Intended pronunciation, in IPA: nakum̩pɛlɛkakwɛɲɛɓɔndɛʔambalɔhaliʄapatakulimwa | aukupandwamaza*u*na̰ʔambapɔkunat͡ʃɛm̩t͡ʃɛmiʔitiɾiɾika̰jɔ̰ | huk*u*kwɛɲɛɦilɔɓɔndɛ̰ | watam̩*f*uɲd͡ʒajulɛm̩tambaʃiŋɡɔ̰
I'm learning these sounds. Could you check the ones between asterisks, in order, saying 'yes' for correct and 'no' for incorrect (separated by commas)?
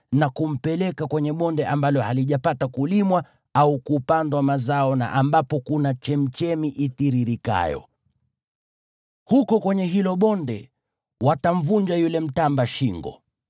no, no, no